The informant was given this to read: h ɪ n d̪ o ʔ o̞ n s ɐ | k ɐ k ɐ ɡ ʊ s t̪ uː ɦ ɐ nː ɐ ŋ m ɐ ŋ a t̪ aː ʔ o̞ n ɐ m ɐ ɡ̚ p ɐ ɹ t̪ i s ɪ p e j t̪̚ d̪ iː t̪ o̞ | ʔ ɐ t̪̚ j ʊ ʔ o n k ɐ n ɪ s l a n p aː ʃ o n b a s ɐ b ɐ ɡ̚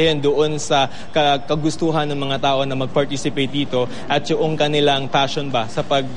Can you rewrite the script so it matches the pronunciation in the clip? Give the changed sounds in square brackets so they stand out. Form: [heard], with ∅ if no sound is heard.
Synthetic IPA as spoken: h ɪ n d̪ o ʔ o̞ n s ɐ | k ɐ k ɐ ɡ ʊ s t̪ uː ɦ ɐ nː ɐ ŋ m ɐ ŋ a t̪ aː ʔ o̞ n ɐ m ɐ ɡ̚ p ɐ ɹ t̪ i s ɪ p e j t̪̚ d̪ iː t̪ o̞ | ʔ ɐ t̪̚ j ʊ ʔ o [ŋ] k ɐ n ɪ [∅] l a [ŋ] p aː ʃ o n b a s ɐ [p] ɐ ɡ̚